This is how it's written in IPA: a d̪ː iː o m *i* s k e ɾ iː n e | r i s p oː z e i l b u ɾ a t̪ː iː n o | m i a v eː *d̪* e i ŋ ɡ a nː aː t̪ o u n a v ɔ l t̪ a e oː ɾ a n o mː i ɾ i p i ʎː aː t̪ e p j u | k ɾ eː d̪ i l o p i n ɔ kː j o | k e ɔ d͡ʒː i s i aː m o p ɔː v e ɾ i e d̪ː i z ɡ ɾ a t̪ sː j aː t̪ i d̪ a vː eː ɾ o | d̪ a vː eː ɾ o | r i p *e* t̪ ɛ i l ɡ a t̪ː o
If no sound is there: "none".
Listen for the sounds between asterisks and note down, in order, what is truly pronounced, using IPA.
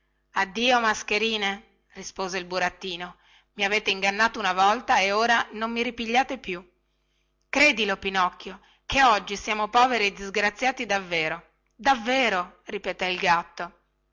a, t̪, e

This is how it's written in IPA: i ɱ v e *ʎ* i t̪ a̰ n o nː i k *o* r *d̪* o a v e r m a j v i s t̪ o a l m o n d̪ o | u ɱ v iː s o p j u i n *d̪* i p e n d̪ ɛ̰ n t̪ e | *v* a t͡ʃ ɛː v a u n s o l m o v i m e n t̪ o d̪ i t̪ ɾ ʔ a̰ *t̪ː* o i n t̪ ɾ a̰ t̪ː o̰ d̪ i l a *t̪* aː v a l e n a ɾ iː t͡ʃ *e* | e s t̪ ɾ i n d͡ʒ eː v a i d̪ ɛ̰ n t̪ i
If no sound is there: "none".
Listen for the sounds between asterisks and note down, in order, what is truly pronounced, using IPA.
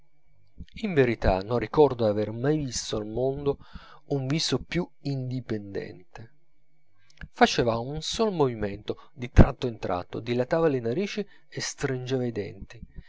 ɾ, ɔ, d̪, d̪, f, t̪ː, t̪, i

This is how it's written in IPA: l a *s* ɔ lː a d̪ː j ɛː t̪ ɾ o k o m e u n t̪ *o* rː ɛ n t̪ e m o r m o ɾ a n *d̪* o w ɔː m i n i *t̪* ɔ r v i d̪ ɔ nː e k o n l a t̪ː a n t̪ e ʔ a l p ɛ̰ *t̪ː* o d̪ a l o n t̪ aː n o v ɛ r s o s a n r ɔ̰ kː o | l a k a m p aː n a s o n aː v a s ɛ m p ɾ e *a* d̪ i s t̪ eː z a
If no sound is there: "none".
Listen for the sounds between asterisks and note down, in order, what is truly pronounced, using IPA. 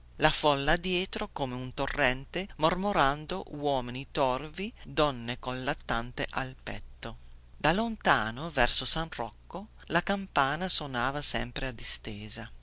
f, o, d̪, t̪, t̪ː, a

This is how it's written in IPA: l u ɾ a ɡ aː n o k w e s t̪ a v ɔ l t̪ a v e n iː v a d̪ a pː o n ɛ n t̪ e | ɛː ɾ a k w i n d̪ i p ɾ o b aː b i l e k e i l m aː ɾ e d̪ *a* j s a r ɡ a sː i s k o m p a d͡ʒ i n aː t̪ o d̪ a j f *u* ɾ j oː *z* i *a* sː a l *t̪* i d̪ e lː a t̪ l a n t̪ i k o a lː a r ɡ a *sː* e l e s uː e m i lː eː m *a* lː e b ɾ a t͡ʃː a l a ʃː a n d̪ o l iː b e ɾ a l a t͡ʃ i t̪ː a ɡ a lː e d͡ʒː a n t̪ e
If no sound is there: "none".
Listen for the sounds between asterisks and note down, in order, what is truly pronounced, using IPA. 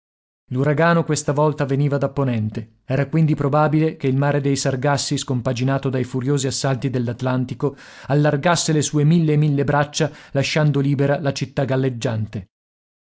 e, u, z, a, t̪, sː, i

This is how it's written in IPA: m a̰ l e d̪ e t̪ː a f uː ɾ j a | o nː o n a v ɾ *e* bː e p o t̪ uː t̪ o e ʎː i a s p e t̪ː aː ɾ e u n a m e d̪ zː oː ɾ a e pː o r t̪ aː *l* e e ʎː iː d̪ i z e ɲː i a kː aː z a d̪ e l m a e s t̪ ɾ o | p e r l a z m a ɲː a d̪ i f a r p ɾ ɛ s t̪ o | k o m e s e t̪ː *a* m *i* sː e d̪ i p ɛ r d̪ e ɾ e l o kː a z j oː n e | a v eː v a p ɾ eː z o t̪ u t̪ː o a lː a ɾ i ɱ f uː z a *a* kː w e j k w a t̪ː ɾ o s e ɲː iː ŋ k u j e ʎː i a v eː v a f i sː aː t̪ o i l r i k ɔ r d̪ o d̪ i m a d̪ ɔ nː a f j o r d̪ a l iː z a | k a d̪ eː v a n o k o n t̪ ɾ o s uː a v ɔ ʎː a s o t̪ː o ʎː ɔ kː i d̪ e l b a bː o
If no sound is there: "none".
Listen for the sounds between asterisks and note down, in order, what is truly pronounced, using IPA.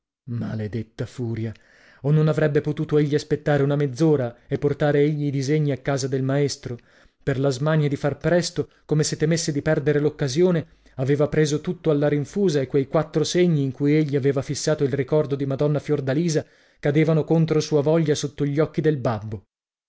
ɛ, ɾ, e, e, e

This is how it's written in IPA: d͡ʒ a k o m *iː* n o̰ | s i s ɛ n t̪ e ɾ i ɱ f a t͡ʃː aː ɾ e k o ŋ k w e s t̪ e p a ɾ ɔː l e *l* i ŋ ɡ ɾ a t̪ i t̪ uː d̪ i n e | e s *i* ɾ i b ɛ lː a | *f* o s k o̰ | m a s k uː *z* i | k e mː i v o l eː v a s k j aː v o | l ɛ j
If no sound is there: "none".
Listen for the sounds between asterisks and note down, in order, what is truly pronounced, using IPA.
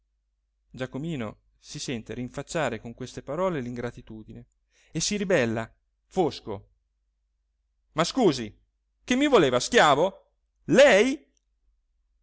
iː, l, i, f, z

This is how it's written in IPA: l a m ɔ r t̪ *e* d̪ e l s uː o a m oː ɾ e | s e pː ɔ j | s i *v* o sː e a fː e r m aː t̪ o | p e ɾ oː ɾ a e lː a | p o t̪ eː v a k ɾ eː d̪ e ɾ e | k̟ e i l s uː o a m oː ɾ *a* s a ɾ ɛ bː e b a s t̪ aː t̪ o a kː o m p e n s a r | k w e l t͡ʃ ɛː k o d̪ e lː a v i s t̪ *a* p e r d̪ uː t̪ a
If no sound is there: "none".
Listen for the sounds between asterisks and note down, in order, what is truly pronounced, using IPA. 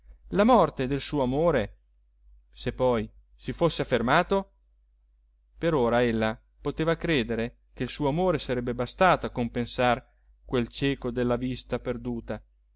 e, f, e, a

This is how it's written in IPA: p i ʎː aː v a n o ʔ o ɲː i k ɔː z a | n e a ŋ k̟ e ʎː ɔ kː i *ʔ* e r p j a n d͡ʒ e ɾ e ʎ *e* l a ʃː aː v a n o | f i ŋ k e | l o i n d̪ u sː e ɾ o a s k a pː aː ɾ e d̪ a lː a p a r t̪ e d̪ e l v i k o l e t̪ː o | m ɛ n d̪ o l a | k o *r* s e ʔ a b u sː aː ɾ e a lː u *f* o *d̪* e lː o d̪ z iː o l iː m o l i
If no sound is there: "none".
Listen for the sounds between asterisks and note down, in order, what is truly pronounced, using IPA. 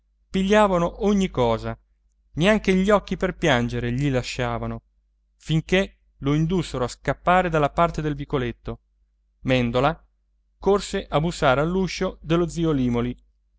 p, i, r, ʃ, d̪

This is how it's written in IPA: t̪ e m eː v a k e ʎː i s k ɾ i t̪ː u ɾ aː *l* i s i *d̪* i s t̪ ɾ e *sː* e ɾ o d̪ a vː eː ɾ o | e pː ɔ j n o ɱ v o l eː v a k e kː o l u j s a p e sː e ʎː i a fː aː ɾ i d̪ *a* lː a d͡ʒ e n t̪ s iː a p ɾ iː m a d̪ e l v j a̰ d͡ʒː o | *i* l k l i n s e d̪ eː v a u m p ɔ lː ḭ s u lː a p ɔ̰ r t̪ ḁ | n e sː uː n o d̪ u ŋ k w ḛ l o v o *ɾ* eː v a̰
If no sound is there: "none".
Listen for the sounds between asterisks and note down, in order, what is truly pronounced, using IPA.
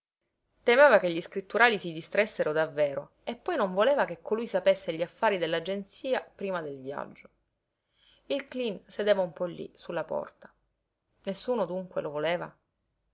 l, d̪, sː, e, i, l

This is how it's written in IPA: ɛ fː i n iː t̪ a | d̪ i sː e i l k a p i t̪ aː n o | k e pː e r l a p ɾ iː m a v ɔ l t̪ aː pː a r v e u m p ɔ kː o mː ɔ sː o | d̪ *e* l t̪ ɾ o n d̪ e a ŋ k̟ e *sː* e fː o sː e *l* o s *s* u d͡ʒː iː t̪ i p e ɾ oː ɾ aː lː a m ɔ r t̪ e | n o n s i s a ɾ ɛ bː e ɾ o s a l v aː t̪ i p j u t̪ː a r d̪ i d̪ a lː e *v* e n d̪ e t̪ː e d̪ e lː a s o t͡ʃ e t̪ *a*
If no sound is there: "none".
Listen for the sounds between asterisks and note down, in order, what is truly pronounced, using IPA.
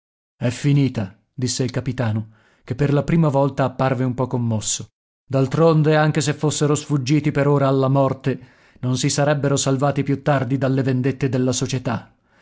a, s, ɾ, f, v, a

